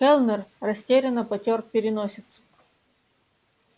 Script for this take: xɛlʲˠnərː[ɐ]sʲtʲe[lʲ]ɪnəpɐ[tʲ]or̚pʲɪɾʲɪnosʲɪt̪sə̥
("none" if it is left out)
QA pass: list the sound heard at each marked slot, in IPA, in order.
ɐ, ɾʲ, tʲ

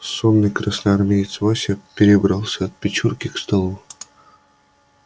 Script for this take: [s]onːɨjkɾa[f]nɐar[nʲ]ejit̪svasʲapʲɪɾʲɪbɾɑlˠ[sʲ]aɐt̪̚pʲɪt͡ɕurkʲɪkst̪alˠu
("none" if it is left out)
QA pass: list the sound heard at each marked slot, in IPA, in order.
s, s, mʲ, sʲ

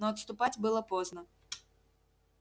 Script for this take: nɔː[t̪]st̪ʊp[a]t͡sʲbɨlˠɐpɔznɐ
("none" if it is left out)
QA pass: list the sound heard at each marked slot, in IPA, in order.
t̪, a

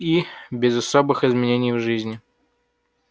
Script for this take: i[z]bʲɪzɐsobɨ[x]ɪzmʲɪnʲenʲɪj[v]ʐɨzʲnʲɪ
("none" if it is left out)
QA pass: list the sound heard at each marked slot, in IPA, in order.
none, x, v

